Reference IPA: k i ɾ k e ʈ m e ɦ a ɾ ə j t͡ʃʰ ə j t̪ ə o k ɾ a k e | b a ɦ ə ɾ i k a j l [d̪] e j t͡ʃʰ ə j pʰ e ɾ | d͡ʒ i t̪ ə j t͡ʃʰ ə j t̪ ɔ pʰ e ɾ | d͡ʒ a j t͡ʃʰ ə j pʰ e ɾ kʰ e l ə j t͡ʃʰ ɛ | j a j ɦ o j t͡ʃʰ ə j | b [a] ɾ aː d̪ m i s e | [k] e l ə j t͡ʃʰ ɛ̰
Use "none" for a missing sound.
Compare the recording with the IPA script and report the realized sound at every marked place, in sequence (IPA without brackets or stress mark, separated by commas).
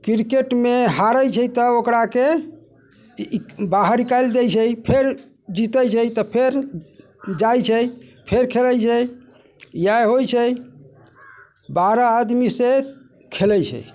d̪, a, kʰ